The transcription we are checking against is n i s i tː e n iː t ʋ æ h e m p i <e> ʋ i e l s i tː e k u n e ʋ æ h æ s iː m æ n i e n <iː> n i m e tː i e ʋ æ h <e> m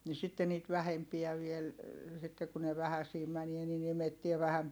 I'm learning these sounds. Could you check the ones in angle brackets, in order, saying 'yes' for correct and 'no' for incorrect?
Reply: no, no, no

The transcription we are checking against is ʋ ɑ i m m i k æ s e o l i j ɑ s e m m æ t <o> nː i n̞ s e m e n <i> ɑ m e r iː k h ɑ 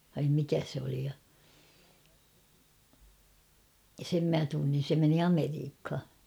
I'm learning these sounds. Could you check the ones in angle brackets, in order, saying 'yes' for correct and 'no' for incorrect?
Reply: no, yes

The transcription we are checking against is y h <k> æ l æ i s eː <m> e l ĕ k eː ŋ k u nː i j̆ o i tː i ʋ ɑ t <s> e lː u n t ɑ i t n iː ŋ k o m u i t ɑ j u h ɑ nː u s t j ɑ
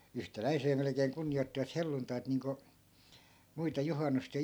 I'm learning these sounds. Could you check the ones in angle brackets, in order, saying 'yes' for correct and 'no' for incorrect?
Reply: no, yes, no

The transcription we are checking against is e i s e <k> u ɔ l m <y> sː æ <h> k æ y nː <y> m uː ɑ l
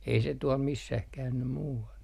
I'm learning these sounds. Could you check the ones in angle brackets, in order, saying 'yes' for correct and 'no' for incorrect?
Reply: no, no, yes, yes

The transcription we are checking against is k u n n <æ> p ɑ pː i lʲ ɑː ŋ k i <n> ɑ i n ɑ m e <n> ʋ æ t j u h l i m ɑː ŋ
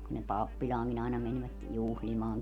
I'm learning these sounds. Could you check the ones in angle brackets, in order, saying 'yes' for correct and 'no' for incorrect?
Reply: no, yes, yes

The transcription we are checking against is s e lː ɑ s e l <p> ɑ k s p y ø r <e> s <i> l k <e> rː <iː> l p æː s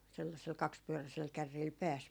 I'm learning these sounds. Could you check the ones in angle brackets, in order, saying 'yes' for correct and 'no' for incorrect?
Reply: no, no, no, no, yes

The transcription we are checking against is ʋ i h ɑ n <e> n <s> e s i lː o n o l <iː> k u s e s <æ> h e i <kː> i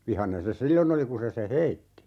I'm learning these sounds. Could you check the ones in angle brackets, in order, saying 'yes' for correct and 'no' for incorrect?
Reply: yes, yes, no, no, no

